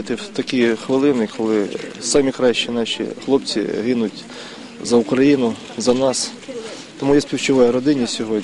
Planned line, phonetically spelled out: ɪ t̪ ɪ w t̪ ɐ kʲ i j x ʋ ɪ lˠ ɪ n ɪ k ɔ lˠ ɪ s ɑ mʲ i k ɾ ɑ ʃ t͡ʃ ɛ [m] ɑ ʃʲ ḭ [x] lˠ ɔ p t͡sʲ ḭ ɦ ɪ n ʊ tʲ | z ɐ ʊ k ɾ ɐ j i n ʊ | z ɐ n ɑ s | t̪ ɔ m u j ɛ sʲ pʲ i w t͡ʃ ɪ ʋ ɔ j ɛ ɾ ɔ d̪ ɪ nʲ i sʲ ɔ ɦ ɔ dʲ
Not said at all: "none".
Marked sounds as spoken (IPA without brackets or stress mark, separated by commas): n, x